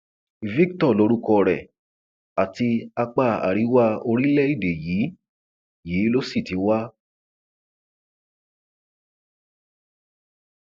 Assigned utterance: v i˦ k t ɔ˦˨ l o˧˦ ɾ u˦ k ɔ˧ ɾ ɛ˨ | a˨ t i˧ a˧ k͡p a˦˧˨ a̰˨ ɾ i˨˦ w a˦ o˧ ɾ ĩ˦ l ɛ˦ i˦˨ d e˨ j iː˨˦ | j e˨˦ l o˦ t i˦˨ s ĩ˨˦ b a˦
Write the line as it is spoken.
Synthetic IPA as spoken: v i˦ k t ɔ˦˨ l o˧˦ ɾ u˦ k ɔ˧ ɾ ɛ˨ | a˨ t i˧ a˧ k͡p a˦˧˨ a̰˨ ɾ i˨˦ w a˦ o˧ ɾ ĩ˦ l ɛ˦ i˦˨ d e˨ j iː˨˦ | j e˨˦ l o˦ s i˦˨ t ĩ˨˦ w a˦